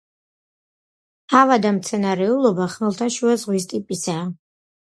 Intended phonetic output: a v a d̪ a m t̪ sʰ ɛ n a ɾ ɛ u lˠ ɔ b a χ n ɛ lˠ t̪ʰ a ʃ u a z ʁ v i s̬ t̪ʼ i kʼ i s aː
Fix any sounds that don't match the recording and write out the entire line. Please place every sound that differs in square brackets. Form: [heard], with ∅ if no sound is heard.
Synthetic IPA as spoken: a v a d̪ a m t̪ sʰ ɛ n a ɾ ɛ u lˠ ɔ b a χ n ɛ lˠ t̪ʰ a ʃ u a z ʁ [w] i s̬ t̪ʼ i [pʼ] i s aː